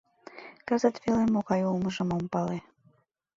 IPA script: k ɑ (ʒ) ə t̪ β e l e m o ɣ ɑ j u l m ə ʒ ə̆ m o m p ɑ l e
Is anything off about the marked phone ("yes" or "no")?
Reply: yes